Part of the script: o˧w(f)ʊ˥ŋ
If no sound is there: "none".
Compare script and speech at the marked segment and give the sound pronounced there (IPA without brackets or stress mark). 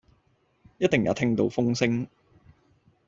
f